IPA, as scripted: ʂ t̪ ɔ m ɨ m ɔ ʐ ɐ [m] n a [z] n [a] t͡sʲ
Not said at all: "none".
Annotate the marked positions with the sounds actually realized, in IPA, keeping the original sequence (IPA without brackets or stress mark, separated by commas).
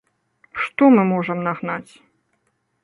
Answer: m, ɣ, a